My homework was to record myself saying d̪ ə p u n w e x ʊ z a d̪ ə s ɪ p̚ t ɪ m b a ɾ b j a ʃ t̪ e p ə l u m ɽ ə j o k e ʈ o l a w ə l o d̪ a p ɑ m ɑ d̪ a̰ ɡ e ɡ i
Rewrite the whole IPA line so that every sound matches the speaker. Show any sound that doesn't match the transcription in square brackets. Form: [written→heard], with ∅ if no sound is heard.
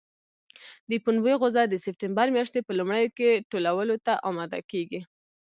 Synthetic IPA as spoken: d̪ ə p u n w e [x→ɣ] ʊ z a d̪ ə s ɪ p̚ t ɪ m b a ɾ [b→m] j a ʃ t̪ e p ə l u m ɽ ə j o k e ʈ o l a w ə l o [d̪→t̪] a [p→ʔ] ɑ m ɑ d̪ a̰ [ɡ→k] e ɡ i